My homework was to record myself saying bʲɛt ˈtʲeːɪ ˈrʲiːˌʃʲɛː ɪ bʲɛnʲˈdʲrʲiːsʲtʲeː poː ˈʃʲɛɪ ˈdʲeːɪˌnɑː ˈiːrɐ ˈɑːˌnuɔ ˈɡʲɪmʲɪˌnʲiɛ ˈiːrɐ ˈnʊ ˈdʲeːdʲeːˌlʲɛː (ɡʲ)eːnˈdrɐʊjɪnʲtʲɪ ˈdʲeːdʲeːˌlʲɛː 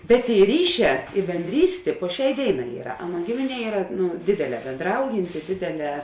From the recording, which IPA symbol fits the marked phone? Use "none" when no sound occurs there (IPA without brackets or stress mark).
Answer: bʲ